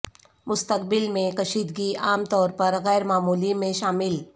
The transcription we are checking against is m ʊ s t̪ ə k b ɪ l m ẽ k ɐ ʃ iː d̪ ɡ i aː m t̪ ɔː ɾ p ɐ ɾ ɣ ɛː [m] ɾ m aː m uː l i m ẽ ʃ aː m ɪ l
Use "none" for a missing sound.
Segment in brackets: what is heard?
none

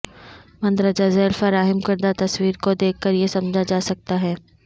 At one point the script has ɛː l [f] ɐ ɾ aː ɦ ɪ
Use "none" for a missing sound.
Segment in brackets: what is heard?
f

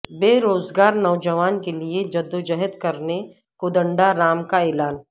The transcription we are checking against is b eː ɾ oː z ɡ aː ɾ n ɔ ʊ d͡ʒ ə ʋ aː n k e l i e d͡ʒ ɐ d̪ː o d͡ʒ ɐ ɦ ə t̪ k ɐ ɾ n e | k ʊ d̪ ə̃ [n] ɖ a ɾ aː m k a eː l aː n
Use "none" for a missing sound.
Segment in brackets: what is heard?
ɳ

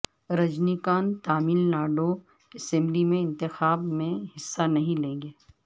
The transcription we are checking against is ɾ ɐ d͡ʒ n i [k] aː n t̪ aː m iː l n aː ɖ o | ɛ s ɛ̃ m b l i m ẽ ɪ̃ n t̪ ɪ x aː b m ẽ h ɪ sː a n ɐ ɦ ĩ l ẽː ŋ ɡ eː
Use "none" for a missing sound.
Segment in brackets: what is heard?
k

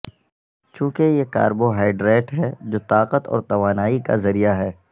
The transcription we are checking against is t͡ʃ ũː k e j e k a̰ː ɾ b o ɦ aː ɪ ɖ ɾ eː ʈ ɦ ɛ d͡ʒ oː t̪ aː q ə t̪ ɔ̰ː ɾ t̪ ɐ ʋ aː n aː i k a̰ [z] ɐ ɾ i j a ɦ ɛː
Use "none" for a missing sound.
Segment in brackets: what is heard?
z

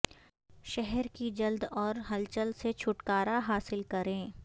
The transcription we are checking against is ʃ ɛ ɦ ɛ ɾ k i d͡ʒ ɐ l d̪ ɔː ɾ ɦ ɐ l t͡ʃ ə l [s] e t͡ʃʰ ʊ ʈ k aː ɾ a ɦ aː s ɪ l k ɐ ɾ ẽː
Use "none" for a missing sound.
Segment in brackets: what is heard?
s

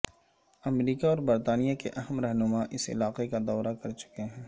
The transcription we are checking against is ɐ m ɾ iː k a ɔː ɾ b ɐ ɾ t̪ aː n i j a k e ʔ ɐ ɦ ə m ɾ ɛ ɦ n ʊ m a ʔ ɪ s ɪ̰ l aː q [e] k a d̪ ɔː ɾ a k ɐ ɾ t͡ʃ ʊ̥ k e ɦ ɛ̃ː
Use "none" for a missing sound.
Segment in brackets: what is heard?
e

